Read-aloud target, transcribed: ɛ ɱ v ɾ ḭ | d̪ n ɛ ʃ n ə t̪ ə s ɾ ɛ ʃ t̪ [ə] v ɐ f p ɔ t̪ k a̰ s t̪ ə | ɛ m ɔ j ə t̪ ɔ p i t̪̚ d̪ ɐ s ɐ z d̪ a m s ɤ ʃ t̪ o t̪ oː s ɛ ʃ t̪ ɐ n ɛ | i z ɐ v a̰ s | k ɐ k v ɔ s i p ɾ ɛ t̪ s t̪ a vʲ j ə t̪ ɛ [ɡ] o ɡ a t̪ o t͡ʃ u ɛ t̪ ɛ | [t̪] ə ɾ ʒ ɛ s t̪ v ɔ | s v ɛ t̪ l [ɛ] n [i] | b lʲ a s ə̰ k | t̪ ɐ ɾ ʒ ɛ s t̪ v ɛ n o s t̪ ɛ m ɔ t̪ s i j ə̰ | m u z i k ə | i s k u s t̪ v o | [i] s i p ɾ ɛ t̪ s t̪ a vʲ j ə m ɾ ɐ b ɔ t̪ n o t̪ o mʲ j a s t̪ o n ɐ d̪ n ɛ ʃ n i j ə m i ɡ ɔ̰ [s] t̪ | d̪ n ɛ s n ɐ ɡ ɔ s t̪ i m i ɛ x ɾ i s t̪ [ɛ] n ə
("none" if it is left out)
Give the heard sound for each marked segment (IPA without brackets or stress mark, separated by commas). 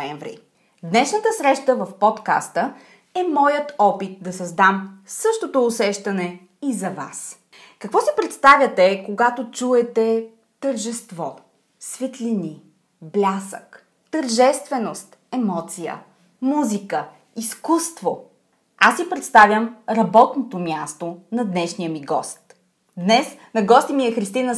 ə, k, t̪, i, i, a, s, i